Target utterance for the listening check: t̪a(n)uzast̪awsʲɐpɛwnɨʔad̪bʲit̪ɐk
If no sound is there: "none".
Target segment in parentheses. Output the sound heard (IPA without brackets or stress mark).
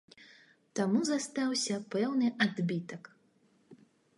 m